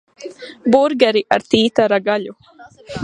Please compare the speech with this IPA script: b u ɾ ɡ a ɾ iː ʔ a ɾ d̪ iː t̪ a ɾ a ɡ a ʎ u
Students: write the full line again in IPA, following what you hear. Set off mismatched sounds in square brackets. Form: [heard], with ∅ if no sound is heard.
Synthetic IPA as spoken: b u ɾ ɡ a ɾ [i] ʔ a ɾ [t̪] iː t̪ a ɾ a ɡ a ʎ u